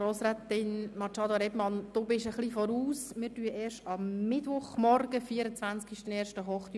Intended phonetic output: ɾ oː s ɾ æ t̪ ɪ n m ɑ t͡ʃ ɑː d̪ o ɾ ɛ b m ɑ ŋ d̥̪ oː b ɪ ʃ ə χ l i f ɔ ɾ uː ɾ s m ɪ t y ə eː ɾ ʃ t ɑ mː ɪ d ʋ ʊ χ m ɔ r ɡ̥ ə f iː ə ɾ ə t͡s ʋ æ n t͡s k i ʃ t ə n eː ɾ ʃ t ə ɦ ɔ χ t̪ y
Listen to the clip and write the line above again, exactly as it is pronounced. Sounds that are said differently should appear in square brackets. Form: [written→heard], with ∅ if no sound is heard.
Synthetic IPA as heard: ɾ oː s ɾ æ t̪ ɪ n m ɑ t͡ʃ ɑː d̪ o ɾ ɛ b m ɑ [ŋ→n] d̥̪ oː b ɪ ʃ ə χ l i f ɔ ɾ uː [ɾ→∅] s m ɪ t y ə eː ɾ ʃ t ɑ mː ɪ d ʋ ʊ χ m ɔ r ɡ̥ ə f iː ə ɾ ə t͡s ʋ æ n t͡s k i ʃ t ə n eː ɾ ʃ t ə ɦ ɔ χ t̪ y

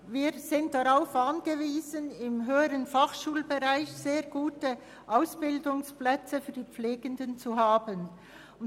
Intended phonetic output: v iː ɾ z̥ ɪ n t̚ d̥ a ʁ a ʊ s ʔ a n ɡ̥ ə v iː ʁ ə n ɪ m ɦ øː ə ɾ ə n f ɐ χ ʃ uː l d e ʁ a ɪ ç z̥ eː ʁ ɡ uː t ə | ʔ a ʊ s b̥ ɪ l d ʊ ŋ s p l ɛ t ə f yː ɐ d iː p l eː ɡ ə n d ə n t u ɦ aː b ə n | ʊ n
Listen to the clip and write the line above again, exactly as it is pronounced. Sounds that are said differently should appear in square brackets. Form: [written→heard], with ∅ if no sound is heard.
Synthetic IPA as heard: v iː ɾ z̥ ɪ n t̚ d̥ a ʁ a ʊ [s→f] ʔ a n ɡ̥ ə v iː [ʁ→z] ə n ɪ m ɦ øː ə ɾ ə n f [ɐ→a] χ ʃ uː l [d→b] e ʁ a ɪ ç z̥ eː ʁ ɡ uː t ə | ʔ a ʊ s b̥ ɪ l d ʊ ŋ s p l ɛ [t→t͡s] ə f yː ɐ d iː [p→p͡f] l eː ɡ ə n d ə n [t→t͡s] u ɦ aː b ə n | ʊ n

